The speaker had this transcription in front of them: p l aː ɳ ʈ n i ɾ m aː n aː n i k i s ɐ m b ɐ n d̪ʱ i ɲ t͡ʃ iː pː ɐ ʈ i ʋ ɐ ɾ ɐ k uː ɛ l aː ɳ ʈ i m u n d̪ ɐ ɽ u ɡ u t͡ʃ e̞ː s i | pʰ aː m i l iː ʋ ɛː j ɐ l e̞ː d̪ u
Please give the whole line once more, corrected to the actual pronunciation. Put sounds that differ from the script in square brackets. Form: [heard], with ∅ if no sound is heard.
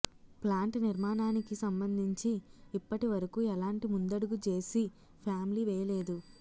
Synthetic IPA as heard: p l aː ɳ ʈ n i ɾ m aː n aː n i k i s ɐ m b ɐ n d̪ʱ i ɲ t͡ʃ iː pː ɐ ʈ i ʋ ɐ ɾ ɐ k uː ɛ l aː ɳ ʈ i m u n d̪ ɐ ɽ u ɡ u t͡ʃ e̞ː s i | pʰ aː m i l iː ʋ ɛː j ɐ l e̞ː d̪ u